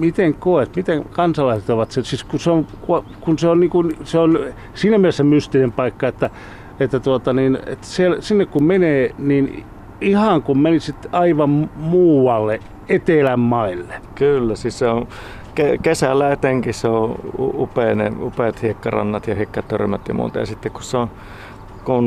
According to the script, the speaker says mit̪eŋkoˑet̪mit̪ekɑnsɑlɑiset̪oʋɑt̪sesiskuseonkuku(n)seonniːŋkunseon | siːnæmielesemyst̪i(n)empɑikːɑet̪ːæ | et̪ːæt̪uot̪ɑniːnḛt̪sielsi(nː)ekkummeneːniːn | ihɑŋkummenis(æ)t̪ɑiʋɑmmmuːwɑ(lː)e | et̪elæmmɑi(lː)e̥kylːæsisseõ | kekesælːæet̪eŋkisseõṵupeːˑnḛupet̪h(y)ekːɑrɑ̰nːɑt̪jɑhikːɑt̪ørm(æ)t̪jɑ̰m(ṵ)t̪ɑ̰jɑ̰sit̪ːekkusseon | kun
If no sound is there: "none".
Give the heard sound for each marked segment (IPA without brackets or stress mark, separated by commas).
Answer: n, n, nː, i, lː, lː, i, æ, ṵː